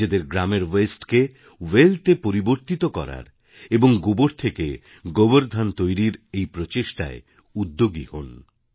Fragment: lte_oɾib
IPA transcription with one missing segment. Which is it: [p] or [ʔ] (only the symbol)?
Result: p